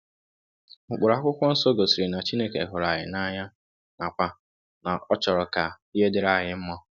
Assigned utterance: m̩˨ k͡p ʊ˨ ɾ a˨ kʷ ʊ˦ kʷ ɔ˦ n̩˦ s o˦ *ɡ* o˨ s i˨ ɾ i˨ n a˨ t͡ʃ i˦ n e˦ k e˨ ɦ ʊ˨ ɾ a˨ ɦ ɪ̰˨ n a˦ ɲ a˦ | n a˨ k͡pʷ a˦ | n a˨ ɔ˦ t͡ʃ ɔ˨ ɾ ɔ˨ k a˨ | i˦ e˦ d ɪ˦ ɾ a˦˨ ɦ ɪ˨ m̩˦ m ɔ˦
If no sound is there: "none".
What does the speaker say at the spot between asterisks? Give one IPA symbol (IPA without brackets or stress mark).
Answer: ɡ